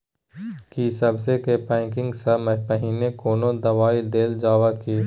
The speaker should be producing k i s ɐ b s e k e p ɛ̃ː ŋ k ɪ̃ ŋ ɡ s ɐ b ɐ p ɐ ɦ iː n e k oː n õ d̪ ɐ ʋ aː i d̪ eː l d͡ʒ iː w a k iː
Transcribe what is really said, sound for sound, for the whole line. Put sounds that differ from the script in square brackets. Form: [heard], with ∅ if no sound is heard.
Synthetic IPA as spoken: k i s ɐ b s e k e p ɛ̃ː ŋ k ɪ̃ ŋ ɡ s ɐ [m] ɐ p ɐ ɦ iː n e k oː n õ d̪ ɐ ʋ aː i d̪ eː l d͡ʒ [aː] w a k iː